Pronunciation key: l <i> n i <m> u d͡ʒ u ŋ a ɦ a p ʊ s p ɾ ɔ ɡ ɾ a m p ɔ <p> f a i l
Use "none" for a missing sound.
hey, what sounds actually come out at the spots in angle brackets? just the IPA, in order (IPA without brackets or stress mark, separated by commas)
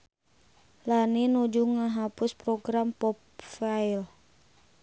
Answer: a, n, p